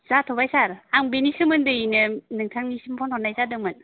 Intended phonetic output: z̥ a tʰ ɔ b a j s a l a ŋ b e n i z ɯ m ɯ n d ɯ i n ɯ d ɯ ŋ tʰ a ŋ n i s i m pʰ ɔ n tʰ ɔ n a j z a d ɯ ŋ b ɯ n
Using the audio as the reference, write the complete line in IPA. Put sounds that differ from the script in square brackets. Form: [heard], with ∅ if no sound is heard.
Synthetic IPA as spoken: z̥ a tʰ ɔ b a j s a [ɾ] a ŋ b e n i [s] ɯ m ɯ n d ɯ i n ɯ [n] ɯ ŋ tʰ a ŋ n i s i m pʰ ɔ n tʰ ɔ n a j z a d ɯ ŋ [m] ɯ n